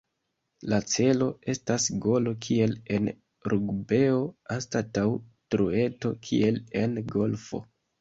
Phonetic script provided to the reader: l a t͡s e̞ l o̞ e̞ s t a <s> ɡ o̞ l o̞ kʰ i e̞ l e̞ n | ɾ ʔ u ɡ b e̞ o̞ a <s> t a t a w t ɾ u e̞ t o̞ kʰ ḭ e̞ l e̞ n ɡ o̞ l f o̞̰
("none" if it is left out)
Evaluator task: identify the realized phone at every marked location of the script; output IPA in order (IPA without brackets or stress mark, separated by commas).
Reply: s, s